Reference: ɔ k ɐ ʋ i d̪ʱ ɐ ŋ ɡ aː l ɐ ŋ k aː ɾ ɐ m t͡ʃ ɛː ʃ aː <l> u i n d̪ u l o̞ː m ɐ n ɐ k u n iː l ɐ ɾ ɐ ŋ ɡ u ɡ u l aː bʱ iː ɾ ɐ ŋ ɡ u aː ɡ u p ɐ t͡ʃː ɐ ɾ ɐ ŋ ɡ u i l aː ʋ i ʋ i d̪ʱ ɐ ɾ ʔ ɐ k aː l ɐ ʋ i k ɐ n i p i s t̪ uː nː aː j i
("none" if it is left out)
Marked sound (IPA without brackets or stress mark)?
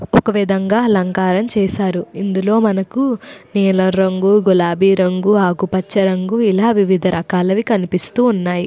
ɾ